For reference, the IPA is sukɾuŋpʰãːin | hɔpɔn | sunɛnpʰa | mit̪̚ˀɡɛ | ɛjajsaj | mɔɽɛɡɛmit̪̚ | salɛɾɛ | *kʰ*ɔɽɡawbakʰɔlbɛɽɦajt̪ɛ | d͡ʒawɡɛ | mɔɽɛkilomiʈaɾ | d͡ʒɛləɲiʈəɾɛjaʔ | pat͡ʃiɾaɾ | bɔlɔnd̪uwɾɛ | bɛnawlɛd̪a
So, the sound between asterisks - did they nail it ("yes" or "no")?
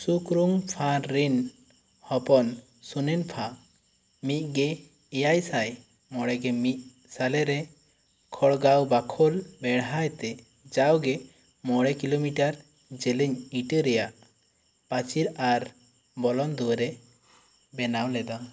yes